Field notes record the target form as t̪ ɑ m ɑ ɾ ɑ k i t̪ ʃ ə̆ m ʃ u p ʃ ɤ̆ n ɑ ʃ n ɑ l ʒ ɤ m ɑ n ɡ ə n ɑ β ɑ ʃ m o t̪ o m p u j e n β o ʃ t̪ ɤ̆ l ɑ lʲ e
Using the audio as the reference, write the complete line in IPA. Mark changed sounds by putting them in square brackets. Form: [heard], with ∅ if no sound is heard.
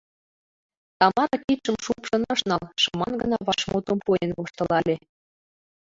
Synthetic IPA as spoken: t̪ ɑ m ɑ ɾ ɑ k i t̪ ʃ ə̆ m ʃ u p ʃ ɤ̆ n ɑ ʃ n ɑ l [ʃ] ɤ m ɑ n ɡ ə n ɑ β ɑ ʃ m o t̪ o m p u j e n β o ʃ t̪ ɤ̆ l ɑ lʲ e